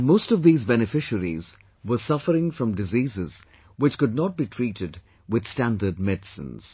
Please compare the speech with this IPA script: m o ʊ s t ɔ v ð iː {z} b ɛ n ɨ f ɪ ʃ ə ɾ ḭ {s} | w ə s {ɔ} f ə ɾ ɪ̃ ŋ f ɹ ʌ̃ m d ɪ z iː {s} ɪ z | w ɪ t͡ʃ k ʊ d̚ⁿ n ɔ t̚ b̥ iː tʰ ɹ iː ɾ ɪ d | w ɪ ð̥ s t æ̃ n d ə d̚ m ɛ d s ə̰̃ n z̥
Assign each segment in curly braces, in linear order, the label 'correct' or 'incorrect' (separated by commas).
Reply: correct, incorrect, incorrect, incorrect